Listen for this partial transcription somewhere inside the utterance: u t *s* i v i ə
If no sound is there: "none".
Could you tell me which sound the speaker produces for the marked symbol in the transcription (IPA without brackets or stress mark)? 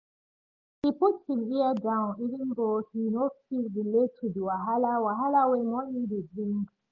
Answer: s